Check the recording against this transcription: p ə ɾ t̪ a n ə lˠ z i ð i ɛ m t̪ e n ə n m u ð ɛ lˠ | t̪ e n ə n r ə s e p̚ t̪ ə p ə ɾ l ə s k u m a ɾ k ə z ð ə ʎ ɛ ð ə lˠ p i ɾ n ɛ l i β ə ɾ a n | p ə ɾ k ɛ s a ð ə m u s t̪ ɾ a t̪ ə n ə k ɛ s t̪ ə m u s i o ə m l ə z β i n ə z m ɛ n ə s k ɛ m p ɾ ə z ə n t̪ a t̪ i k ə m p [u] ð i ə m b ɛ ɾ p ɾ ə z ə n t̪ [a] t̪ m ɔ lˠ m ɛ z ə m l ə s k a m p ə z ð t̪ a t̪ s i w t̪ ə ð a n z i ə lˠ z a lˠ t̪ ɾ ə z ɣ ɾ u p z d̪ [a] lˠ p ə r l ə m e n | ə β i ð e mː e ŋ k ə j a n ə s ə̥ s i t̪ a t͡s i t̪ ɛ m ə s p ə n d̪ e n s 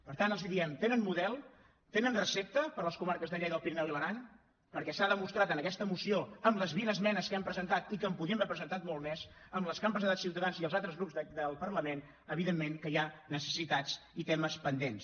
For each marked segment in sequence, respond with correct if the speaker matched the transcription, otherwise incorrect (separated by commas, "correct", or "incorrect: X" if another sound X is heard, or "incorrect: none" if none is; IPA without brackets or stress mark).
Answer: correct, correct, incorrect: ə